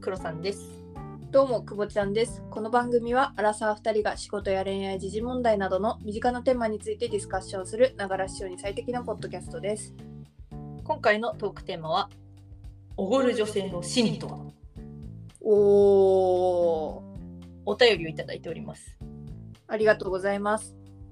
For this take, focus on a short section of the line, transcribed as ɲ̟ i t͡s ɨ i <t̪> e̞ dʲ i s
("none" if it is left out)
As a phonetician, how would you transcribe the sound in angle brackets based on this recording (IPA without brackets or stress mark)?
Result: t̪